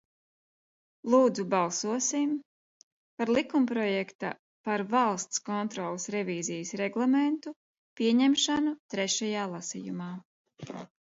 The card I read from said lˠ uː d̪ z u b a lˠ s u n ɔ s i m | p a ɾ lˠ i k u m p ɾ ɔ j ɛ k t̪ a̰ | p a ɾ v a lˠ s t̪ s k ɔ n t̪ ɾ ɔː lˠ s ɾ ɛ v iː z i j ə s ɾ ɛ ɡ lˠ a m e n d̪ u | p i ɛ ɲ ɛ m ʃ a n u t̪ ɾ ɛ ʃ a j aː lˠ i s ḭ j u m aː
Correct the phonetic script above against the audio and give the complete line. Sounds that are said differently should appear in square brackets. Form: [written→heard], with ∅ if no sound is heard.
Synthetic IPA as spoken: lˠ uː d̪ z u b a lˠ s u [n→∅] ɔ s i m | p a ɾ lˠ i k u m p ɾ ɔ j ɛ k t̪ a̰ | p a ɾ v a lˠ s t̪ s k ɔ n t̪ ɾ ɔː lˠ s ɾ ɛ v iː z i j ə s ɾ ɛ ɡ lˠ a m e n [d̪→t̪] u | p i ɛ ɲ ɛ m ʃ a n u t̪ ɾ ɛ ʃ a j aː lˠ [i→a] s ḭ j u m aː